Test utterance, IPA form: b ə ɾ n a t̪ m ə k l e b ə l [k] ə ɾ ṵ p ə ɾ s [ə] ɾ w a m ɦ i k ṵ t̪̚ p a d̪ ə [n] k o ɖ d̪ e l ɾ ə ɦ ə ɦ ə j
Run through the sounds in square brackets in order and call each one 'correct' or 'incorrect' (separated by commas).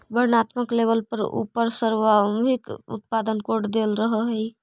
incorrect, correct, correct